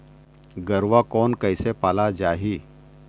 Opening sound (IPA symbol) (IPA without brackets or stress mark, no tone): ɡ